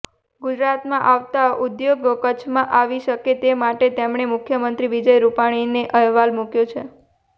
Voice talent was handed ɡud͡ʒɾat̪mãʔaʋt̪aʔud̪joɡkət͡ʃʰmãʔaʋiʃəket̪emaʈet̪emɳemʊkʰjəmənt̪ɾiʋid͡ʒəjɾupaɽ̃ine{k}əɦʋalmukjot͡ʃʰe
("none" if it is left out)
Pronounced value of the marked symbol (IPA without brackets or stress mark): ʔ